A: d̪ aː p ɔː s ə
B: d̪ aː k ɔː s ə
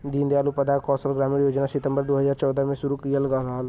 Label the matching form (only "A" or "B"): B